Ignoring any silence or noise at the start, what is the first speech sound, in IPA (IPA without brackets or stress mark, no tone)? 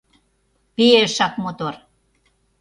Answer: p